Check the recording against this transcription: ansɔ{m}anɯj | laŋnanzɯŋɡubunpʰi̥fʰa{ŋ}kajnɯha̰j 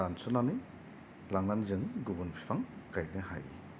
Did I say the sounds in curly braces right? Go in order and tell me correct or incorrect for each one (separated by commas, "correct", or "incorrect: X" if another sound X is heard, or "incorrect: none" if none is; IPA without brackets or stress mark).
incorrect: n, correct